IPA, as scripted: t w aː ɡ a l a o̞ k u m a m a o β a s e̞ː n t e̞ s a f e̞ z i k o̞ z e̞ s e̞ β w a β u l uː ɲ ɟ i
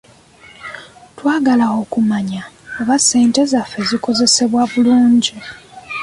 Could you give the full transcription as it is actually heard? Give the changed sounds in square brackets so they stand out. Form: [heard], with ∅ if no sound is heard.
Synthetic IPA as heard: t w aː ɡ a l a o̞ k u m a [ɲ] a o β a s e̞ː n t e̞ [z] a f e̞ z i k o̞ z e̞ s e̞ β w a β u l uː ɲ ɟ i